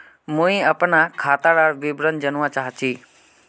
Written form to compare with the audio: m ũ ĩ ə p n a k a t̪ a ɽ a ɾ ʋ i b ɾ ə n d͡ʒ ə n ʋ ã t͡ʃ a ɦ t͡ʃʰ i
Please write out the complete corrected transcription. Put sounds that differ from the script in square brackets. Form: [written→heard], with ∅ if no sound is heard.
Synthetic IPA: m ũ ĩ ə p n a [k→kʰ] a t̪ a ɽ a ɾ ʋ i b ɾ ə n d͡ʒ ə n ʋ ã t͡ʃ a ɦ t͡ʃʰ i